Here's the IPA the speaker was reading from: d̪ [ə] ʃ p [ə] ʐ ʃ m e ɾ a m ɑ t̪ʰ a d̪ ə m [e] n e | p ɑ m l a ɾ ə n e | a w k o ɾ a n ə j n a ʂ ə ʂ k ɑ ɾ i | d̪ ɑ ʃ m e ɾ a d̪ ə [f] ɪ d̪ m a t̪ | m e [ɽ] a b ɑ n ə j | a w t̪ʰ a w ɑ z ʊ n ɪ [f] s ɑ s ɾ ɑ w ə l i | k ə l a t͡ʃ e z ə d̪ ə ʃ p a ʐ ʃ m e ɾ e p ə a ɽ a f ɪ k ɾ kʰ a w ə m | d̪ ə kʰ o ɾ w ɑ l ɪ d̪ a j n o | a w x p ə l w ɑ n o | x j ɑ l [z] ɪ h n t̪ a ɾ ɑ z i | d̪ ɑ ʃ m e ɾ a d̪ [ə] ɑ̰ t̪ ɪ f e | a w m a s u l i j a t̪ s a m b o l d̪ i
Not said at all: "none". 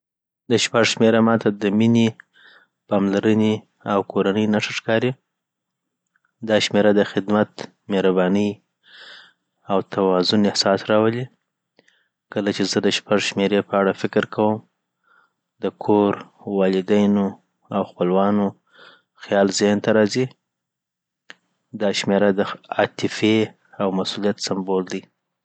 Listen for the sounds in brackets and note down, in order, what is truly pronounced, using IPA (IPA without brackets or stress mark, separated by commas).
ə, a, i, x, ɾ, h, z, ə